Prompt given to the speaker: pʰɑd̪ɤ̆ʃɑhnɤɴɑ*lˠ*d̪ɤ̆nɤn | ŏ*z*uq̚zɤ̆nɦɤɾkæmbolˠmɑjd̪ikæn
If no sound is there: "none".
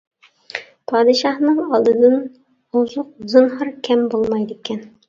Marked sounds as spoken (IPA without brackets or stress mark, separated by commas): lˠ, z